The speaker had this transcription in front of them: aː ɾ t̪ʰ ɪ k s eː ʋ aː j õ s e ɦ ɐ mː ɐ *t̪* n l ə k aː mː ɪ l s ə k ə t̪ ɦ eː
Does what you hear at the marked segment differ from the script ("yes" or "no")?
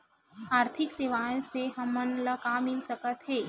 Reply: yes